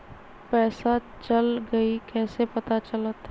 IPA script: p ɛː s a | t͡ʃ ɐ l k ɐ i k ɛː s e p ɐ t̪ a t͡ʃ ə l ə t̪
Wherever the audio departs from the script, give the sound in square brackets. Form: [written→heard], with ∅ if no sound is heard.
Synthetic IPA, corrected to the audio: p ɛː s a | t͡ʃ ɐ l [k→ɡ] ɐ i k ɛː s e p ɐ t̪ a t͡ʃ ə l ə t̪